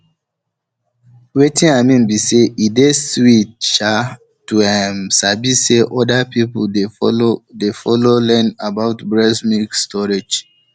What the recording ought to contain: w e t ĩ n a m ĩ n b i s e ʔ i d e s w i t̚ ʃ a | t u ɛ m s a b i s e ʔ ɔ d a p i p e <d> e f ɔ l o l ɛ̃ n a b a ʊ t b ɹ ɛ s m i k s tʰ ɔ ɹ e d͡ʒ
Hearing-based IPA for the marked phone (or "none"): d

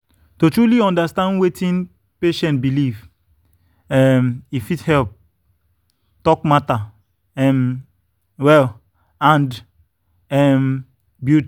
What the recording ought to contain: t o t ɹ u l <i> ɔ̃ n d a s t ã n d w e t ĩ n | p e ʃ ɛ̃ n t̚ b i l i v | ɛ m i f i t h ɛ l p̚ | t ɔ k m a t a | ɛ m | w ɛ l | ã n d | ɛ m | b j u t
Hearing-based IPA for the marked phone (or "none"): i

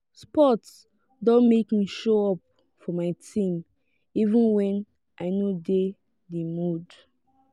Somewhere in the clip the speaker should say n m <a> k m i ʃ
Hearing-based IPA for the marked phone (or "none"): e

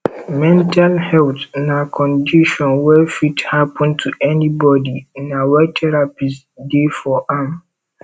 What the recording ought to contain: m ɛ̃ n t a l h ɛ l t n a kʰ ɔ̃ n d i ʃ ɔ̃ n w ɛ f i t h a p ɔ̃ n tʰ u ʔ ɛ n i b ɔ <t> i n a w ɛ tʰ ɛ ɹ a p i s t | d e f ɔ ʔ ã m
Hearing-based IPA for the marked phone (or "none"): d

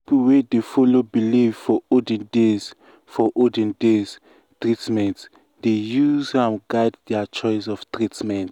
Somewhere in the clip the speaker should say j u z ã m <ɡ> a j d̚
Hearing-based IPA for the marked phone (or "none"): ɡ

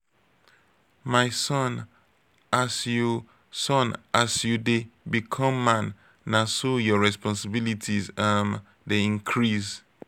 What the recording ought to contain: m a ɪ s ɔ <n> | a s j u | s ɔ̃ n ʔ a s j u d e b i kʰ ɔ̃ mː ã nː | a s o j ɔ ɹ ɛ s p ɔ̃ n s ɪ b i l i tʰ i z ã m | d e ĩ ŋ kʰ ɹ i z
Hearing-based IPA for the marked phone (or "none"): n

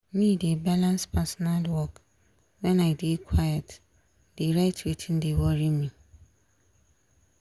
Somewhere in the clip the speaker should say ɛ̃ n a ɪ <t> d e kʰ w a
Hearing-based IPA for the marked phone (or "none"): none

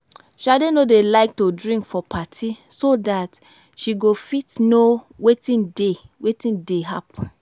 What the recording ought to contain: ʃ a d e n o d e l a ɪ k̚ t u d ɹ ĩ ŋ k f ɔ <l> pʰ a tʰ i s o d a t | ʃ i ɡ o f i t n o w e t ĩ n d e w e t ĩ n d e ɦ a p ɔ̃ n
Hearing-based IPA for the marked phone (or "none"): none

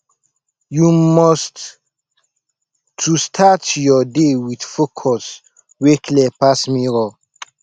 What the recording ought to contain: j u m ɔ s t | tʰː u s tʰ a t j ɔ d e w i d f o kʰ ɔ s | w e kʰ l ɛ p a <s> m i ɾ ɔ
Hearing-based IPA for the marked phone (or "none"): s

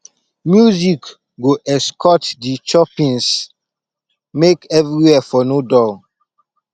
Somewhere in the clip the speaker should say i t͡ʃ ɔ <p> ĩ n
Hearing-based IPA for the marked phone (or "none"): p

